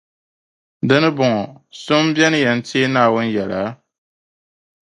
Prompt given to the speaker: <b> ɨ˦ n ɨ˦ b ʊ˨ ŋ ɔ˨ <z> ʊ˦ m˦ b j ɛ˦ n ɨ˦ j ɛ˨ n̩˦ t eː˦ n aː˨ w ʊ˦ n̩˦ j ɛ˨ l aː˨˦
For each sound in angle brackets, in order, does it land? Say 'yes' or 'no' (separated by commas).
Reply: no, no